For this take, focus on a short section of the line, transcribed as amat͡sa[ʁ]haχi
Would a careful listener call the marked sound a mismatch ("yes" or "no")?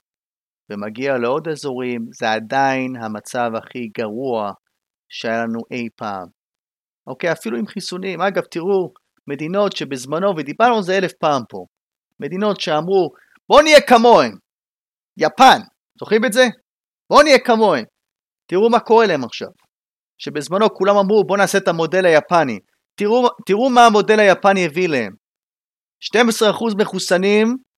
yes